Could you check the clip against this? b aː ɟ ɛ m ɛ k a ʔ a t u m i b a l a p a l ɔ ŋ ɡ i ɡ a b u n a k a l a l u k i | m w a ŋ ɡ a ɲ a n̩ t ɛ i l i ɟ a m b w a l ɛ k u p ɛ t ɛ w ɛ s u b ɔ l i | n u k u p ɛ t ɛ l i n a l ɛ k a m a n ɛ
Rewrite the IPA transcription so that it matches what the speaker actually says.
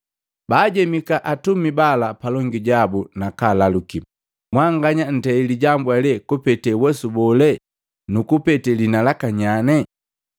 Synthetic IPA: b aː ɟ ɛ m i k a ʔ a t u m i b a l a p a l ɔ ŋ ɡ i ɟ a b u n a k a l a l u k i | m w a ŋ ɡ a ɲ a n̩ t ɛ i l i ɟ a m b w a l ɛ k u p ɛ t ɛ w ɛ s u b ɔ l ɛ | n u k u p ɛ t ɛ l i n a l a k a ɲ a n ɛ